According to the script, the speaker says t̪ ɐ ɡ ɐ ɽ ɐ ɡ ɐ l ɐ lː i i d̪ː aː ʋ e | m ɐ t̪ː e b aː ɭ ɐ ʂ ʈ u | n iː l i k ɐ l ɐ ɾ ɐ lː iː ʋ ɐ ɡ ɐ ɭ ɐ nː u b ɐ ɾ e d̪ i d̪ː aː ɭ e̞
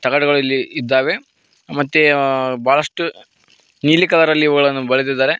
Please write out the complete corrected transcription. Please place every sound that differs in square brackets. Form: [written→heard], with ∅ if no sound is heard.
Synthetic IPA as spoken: t̪ ɐ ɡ ɐ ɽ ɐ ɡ ɐ [l→ɭ] ɐ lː i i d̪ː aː ʋ e | m ɐ t̪ː e b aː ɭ ɐ ʂ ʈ u | n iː l i k ɐ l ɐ ɾ ɐ lː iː ʋ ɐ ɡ ɐ ɭ ɐ nː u b ɐ [ɾ→ɭ] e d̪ i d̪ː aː [ɭ→ɾ] e̞

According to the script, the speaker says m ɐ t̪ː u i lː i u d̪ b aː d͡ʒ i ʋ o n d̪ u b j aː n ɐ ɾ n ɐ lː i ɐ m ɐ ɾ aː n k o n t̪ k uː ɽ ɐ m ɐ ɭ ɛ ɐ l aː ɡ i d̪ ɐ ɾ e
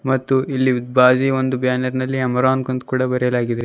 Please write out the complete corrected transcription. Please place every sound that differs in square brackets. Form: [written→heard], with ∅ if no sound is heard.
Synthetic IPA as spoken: m ɐ t̪ː u i lː i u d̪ b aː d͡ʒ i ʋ o n d̪ u b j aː n ɐ ɾ n ɐ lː i ɐ m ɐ ɾ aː n k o n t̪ k uː ɽ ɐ [m→b] ɐ [ɭ→ɾ] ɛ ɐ l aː ɡ i d̪ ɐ ɾ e

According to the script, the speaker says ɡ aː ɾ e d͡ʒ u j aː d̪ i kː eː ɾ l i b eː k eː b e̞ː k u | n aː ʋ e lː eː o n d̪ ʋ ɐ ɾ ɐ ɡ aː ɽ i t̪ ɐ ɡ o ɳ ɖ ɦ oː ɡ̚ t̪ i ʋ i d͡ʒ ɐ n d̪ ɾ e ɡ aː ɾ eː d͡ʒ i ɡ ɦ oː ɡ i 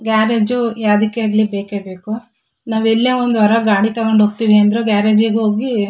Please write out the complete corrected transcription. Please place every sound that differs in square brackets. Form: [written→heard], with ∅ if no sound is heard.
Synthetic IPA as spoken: ɡ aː ɾ e d͡ʒ u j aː d̪ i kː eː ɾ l i b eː k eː b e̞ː k u | n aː ʋ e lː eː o n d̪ ʋ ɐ ɾ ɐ ɡ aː ɽ i t̪ ɐ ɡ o ɳ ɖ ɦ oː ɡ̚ t̪ i ʋ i [d͡ʒ→∅] ɐ n d̪ ɾ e ɡ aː ɾ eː d͡ʒ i ɡ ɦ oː ɡ i

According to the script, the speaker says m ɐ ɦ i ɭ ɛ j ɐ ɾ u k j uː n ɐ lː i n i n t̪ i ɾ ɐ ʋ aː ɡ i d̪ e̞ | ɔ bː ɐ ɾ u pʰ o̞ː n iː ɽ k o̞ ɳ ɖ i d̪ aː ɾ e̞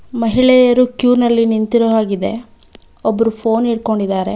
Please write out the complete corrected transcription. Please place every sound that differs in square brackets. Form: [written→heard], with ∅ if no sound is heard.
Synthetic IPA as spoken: m ɐ ɦ i ɭ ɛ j ɐ ɾ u k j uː n ɐ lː i n i n t̪ i ɾ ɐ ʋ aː ɡ i d̪ e̞ | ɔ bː ɐ ɾ u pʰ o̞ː n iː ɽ k o̞ ɳ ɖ i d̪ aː ɾ e̞

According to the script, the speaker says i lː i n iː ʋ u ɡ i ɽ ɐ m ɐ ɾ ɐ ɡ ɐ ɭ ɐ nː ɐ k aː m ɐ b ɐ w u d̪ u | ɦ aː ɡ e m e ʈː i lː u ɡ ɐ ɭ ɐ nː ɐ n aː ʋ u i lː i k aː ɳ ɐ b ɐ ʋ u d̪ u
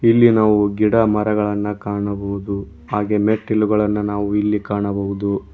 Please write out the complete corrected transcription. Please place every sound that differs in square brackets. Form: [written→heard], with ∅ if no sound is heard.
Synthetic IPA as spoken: i lː i n [iː→aː] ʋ u ɡ i ɽ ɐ m ɐ ɾ ɐ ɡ ɐ ɭ ɐ nː ɐ k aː [m→ɳ] ɐ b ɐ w u d̪ u | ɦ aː ɡ e m e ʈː i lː u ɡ ɐ ɭ ɐ nː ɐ n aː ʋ u i lː i k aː ɳ ɐ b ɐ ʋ u d̪ u

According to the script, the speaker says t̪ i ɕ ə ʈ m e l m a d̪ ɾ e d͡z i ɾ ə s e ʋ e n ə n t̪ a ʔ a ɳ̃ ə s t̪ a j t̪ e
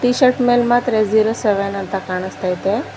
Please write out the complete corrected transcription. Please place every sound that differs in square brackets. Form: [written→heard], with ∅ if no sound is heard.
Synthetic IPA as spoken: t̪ i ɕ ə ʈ m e l m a [d̪→t̪] ɾ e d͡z i ɾ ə s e ʋ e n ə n t̪ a [ʔ→k] a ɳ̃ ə s t̪ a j t̪ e

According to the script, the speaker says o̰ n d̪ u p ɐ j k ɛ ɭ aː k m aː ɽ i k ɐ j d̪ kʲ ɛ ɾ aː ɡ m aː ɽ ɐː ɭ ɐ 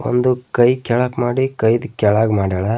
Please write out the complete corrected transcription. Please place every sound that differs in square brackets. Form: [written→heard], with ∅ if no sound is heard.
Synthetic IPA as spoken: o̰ n d̪ u [p→k] ɐ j k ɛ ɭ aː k m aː ɽ i k ɐ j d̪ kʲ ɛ [ɾ→ɭ] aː ɡ m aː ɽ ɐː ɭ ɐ

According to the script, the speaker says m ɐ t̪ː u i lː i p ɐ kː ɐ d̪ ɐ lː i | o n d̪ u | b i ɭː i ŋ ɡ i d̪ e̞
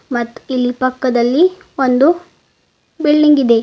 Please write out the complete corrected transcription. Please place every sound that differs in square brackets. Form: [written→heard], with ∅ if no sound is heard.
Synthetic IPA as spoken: m ɐ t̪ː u i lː i p ɐ kː ɐ d̪ ɐ lː i | o n d̪ u | b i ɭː i ŋ ɡ i d̪ e̞

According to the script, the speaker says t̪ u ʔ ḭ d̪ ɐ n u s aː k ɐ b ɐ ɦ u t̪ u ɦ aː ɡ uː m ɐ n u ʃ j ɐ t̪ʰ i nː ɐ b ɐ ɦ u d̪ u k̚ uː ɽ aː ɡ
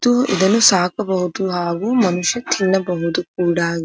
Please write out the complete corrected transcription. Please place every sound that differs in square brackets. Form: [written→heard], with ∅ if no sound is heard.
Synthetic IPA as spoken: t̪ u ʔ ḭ d̪ ɐ n u s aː k ɐ b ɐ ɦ u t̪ u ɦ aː ɡ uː m ɐ n u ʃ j ɐ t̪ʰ i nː ɐ b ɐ ɦ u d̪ u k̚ uː ɽ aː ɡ

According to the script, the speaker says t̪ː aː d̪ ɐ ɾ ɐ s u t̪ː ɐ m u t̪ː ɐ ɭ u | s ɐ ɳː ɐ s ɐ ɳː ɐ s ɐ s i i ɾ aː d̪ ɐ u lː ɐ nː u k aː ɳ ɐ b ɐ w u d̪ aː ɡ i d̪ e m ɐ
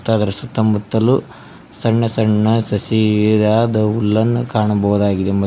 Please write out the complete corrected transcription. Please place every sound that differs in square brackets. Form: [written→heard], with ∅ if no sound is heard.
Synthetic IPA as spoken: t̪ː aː d̪ ɐ ɾ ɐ s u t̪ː ɐ m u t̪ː ɐ [ɭ→l] u | s ɐ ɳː ɐ s ɐ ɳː ɐ s ɐ s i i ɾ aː d̪ ɐ u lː ɐ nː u k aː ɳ ɐ b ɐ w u d̪ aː ɡ i d̪ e m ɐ

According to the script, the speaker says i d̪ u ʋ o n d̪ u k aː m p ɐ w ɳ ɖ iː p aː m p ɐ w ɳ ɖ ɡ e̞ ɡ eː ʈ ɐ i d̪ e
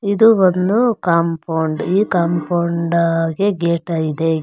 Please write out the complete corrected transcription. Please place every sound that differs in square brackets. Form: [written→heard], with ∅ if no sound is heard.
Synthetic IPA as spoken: i d̪ u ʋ o n d̪ u k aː m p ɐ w ɳ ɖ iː [p→k] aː m p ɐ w ɳ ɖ ɡ e̞ ɡ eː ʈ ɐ i d̪ e

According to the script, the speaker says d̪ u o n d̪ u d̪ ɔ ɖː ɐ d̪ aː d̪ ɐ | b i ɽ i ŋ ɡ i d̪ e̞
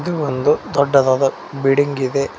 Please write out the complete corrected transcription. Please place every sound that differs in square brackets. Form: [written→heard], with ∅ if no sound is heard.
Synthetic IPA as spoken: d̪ u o n d̪ u d̪ ɔ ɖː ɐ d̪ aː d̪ ɐ | b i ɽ i ŋ ɡ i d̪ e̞

